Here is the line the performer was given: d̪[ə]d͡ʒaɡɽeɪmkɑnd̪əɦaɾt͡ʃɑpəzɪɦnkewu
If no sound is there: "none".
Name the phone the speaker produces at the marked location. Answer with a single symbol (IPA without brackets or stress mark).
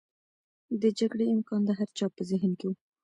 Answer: ə